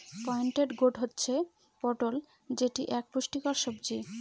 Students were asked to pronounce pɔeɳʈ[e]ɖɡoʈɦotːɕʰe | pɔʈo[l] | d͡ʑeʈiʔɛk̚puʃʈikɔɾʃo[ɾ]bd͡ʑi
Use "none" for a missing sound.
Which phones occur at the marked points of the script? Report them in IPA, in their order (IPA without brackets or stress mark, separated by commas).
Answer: e, l, none